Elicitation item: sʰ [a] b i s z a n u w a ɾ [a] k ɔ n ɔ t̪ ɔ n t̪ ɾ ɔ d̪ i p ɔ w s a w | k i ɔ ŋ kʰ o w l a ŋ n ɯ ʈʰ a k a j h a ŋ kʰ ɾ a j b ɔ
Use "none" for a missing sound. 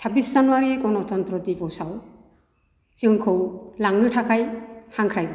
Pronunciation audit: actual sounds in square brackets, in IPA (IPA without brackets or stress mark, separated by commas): a, i